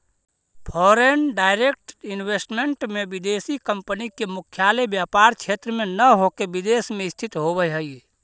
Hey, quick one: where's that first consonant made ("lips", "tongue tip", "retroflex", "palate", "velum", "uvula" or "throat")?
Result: lips